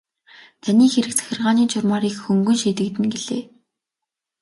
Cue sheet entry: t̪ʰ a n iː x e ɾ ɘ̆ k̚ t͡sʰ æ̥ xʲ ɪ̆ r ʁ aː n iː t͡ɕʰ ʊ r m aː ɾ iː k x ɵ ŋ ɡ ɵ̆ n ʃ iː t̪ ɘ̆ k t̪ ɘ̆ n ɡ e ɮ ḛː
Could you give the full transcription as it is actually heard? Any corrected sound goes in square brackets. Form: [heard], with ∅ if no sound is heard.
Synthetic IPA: t̪ʰ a n iː x e ɾ ɘ̆ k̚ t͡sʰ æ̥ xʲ ɪ̆ r ʁ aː n iː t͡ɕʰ ʊ r m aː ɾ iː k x ɵ ŋ ɡ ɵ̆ n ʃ iː t̪ ɘ̆ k t̪ ɘ̆ n ɡ e ɮ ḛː

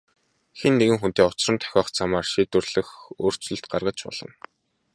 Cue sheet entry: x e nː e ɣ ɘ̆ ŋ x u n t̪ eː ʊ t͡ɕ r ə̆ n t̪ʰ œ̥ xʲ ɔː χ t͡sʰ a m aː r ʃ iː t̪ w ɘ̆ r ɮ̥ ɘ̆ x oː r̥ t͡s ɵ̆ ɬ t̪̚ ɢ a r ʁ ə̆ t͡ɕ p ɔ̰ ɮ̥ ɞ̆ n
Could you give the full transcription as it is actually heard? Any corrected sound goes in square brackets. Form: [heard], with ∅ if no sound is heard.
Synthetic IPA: x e nː e ɣ ɘ̆ ŋ x u n t̪ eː ʊ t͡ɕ r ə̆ n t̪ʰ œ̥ xʲ ɔː χ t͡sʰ a m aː r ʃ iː t̪ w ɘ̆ r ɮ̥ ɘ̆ x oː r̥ t͡s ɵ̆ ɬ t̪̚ ɢ a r ʁ ə̆ t͡ɕ p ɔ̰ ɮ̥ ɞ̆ n

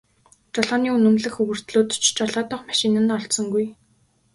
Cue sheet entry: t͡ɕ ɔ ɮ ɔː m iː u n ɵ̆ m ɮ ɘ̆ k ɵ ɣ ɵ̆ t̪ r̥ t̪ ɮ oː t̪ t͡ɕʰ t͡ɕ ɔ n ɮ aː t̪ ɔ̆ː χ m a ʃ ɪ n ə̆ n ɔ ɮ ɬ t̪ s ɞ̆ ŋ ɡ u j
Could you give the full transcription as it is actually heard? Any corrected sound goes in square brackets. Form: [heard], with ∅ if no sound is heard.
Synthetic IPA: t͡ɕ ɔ ɮ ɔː [n] iː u n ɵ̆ m ɮ ɘ̆ [x] ɵ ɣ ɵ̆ [∅] r̥ t̪ ɮ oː t̪ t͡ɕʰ t͡ɕ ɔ [∅] ɮ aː t̪ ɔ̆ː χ m a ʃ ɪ n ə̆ n ɔ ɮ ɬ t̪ s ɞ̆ ŋ ɡ u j

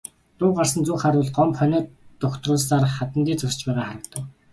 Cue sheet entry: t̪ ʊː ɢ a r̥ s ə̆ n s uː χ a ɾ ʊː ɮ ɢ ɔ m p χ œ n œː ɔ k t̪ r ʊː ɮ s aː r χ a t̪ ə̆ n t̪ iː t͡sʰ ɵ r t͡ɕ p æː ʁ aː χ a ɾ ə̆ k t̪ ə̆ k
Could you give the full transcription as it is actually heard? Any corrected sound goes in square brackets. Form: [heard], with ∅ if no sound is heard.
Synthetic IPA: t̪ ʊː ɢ a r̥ s ə̆ n [t͡s] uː χ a ɾ ʊː ɮ ɢ ɔ m p χ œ n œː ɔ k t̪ r ʊː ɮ s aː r χ a t̪ ə̆ n t̪ iː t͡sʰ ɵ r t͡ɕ p æː ʁ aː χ a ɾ ə̆ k t̪ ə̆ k

